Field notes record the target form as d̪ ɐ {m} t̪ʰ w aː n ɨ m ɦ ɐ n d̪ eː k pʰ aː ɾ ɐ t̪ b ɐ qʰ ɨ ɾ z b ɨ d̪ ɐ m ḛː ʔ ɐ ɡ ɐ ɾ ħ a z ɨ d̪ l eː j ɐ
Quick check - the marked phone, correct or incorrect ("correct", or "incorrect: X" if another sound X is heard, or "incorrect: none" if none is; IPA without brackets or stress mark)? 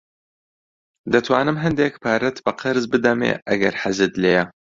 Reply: incorrect: none